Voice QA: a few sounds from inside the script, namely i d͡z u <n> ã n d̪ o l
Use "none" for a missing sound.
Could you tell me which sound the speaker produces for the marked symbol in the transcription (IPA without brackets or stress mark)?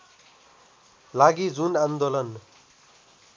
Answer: n